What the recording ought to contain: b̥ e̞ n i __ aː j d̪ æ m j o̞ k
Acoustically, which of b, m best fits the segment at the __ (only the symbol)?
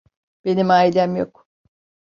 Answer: m